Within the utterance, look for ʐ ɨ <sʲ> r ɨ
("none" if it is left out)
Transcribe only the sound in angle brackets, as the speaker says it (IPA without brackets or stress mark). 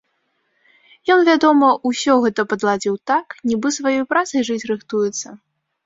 t͡sʲ